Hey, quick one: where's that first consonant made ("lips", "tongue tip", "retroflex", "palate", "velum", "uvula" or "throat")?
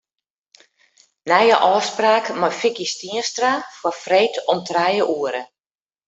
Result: tongue tip